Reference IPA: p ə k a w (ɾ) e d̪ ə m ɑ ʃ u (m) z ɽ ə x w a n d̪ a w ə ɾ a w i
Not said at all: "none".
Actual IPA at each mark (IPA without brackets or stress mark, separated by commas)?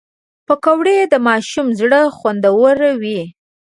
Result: ɽ, m